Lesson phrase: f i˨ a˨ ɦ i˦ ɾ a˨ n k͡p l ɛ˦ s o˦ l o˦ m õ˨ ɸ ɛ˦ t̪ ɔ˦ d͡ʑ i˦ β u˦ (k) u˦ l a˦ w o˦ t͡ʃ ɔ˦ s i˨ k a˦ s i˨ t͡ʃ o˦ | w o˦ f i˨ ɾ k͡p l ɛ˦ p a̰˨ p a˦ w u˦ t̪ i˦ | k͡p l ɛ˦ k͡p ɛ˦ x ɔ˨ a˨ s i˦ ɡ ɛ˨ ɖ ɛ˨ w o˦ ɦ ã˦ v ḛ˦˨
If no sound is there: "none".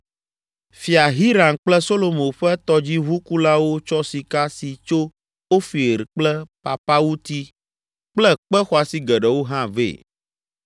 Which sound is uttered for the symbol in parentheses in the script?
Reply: k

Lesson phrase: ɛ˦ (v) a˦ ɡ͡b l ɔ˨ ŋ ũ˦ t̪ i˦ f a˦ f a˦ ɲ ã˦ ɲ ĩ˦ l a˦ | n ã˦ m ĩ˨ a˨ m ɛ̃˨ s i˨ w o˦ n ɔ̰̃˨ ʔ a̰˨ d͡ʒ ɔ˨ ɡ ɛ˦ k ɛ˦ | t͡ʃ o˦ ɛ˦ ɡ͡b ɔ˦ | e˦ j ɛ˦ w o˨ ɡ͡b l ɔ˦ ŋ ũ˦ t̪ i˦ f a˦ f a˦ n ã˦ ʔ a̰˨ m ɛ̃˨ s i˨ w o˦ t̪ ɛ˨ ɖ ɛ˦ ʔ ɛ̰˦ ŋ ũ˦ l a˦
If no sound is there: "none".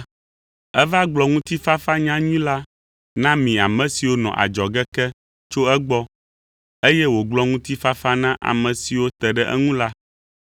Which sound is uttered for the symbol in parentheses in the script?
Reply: v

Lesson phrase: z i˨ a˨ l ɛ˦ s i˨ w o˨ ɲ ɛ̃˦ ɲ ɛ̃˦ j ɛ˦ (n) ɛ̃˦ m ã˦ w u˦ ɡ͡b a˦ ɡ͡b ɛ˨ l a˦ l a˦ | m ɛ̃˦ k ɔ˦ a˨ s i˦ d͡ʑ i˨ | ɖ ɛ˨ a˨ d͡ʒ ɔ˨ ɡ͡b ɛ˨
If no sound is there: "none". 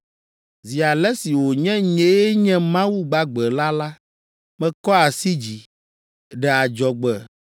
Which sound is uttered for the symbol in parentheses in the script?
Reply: ɲ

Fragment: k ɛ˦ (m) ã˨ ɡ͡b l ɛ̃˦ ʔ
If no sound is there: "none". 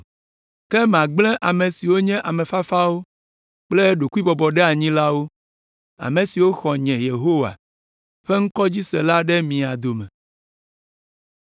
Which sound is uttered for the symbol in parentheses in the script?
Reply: m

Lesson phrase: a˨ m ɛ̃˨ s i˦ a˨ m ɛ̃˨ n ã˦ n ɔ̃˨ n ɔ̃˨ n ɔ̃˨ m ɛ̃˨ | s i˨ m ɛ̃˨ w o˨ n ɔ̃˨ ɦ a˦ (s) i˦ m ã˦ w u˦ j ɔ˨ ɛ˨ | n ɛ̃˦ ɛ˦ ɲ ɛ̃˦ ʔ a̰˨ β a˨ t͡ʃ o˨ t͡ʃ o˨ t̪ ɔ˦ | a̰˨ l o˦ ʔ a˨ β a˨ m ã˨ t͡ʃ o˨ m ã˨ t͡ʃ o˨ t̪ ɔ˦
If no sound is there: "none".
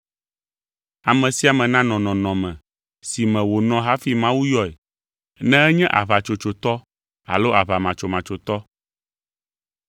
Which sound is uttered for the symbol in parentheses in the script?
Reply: f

